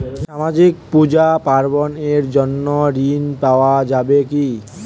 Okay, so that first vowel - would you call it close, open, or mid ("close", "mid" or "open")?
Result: open